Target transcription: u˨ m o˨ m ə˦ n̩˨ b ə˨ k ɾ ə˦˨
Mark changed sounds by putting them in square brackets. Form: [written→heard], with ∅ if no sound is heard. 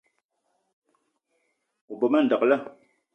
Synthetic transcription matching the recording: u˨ [m→b] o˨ m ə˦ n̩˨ [b→d] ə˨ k [ɾ→l] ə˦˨